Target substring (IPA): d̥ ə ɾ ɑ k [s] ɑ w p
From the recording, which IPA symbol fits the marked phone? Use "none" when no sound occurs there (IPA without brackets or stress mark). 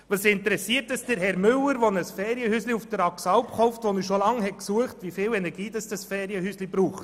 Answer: s